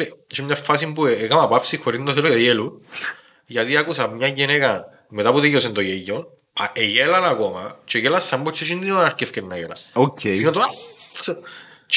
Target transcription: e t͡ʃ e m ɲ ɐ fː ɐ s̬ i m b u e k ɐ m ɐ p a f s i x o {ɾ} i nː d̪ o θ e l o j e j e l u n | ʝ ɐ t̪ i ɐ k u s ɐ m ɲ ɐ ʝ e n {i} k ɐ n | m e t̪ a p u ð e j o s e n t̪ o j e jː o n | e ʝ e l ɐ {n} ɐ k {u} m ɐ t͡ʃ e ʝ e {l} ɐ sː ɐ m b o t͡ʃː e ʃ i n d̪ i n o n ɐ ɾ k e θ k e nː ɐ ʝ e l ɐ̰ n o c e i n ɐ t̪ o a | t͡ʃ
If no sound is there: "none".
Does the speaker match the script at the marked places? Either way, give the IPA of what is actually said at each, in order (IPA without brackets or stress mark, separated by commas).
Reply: ɾ, e, n, o, l